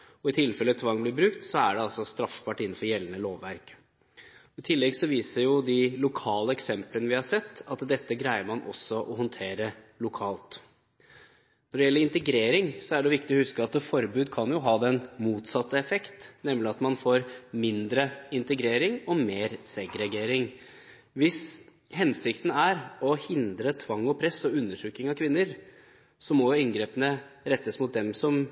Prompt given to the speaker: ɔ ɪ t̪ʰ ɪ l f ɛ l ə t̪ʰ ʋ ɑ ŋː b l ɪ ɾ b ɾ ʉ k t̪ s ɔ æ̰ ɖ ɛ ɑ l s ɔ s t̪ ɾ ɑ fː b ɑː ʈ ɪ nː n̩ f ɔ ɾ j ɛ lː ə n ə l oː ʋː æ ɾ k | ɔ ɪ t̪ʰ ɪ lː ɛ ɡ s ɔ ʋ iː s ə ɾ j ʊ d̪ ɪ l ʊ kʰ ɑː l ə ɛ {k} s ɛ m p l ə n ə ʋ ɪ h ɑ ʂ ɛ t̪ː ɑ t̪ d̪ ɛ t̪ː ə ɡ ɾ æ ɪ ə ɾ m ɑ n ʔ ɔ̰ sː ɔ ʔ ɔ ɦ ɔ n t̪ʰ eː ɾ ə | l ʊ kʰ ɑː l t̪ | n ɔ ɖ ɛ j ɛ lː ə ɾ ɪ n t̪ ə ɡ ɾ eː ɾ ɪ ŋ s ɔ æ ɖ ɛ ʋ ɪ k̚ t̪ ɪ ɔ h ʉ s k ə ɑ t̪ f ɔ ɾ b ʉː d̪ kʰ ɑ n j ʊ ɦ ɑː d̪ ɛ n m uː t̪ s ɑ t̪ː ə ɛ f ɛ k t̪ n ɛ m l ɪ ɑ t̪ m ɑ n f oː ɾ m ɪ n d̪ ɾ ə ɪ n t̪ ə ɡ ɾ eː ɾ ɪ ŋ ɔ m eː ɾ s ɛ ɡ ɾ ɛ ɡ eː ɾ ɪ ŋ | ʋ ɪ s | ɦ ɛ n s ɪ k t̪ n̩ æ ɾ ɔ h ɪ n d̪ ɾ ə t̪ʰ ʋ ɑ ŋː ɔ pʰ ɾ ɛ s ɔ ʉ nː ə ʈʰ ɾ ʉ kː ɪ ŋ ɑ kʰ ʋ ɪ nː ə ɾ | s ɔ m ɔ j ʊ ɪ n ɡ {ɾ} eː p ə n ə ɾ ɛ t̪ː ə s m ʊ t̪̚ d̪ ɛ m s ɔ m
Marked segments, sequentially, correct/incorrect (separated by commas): correct, correct